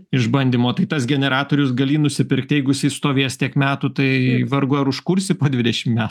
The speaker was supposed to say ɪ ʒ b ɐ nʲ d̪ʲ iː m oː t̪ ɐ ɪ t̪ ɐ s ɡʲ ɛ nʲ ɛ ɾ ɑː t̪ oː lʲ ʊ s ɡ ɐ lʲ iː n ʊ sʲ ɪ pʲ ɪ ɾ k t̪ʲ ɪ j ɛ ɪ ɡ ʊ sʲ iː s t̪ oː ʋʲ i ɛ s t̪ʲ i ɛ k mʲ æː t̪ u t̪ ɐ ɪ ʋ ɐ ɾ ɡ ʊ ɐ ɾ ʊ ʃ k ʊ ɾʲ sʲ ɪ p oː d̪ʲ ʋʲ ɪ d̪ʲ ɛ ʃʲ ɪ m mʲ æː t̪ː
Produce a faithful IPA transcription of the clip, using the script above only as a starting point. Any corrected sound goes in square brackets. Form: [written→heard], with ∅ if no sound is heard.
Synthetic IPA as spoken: ɪ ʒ b ɐ nʲ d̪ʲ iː m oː t̪ ɐ ɪ t̪ ɐ s ɡʲ ɛ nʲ ɛ ɾ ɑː t̪ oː [lʲ→ɾʲ] ʊ s ɡ ɐ lʲ iː n ʊ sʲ ɪ pʲ ɪ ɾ k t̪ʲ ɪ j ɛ ɪ ɡ ʊ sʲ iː s t̪ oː ʋʲ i ɛ s t̪ʲ i ɛ k mʲ æː t̪ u t̪ ɐ ɪ ʋ ɐ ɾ ɡ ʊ ɐ ɾ ʊ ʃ k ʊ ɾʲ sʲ ɪ p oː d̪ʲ ʋʲ ɪ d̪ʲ ɛ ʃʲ ɪ m mʲ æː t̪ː